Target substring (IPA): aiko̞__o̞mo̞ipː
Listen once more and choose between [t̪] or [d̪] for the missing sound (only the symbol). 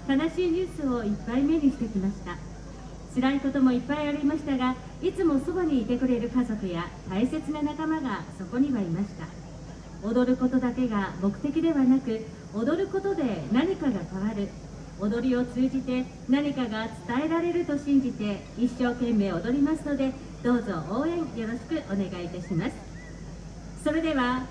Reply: t̪